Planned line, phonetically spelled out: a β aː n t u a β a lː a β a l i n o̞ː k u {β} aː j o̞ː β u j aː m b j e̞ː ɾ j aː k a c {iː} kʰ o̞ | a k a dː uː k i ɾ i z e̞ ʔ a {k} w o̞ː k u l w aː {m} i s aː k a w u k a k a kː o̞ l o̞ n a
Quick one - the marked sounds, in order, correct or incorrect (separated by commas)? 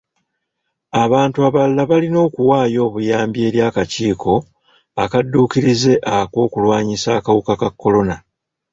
incorrect, correct, correct, incorrect